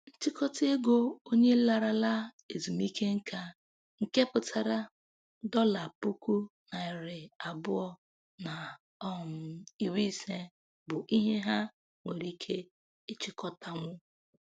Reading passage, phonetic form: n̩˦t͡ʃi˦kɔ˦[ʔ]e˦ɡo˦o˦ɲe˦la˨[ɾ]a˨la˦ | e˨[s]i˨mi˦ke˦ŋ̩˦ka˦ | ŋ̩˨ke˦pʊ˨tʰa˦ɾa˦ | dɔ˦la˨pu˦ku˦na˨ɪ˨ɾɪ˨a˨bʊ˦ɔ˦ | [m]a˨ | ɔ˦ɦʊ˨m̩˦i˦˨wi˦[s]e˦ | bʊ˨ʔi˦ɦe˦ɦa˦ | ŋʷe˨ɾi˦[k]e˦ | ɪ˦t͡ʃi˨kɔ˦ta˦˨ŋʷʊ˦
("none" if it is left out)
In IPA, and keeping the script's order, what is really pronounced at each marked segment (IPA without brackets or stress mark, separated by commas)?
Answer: t, ɾ, z, n, s, kʰ